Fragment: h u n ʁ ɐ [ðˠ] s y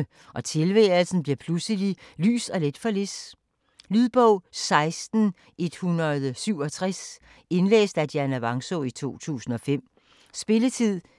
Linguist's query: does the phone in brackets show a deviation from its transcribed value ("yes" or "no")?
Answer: no